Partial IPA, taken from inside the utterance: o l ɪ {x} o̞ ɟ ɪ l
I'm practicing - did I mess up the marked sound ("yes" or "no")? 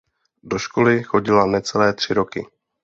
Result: no